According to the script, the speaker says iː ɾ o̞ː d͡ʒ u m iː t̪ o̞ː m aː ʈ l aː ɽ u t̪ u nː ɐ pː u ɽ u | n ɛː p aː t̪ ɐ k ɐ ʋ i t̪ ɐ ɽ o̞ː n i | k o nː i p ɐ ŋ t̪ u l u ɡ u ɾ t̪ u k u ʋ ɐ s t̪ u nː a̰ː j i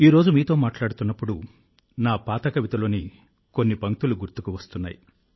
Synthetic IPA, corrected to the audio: iː ɾ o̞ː d͡ʒ u m iː t̪ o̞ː m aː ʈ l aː ɽ u t̪ u nː ɐ pː u ɽ u | n aː p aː t̪ ɐ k ɐ ʋ i t̪ ɐ l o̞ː n i | k o nː i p ɐ ŋ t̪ u l u ɡ u ɾ t̪ u k u ʋ ɐ s t̪ u nː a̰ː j i